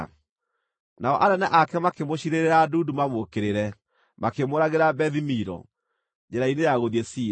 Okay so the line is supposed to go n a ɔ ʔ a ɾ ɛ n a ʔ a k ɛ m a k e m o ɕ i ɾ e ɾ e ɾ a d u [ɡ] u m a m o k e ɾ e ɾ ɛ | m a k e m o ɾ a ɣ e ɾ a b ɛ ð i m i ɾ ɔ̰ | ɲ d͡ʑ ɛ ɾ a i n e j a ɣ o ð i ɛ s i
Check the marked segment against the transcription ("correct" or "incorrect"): incorrect